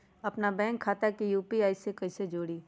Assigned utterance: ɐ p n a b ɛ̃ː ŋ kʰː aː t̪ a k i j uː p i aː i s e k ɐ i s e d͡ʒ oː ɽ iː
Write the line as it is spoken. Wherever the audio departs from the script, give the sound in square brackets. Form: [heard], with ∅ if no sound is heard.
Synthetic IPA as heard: ɐ p n a b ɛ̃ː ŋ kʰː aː t̪ a k i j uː p i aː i s e k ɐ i s e d͡ʒ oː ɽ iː